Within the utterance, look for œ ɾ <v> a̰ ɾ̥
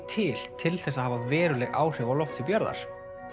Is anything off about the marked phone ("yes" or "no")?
yes